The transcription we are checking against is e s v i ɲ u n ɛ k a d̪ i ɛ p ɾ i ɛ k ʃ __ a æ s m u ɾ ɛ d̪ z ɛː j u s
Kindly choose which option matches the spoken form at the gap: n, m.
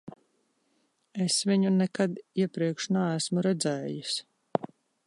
n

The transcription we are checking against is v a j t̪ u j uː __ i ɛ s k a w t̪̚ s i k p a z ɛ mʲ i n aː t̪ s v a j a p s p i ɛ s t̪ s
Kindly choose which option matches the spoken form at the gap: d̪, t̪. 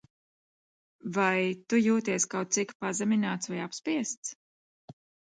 t̪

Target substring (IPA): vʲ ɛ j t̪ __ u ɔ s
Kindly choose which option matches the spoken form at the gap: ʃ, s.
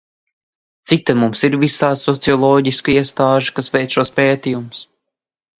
ʃ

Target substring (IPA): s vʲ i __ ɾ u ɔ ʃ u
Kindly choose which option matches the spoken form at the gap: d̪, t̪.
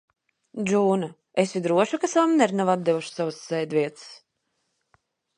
d̪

